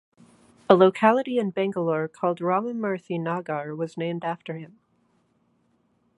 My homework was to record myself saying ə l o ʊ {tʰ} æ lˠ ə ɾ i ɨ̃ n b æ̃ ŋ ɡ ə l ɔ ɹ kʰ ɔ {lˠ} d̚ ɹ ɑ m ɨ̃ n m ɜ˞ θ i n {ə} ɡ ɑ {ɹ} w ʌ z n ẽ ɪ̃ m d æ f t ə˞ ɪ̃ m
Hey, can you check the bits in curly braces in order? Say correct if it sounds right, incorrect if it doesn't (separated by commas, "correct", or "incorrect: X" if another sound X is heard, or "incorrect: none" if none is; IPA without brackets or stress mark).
incorrect: kʰ, correct, incorrect: ɑ, correct